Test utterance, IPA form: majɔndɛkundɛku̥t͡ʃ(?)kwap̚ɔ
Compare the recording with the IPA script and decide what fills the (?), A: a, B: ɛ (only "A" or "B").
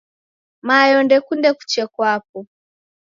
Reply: B